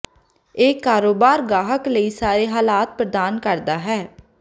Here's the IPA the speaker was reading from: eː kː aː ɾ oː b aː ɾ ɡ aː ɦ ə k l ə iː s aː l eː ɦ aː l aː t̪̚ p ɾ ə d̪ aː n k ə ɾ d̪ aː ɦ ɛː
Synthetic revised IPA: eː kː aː ɾ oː b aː ɾ ɡ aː ɦ ə k l ə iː s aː ɾ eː ɦ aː l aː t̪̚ p ɾ ə d̪ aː n k ə ɾ d̪ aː ɦ ɛː